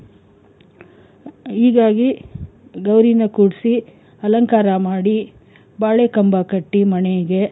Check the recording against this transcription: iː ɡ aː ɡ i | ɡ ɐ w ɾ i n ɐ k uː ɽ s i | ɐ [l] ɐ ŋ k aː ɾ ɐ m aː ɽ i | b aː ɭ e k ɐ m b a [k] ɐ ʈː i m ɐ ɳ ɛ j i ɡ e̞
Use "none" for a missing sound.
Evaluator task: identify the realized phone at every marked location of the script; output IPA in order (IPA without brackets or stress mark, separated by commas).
l, k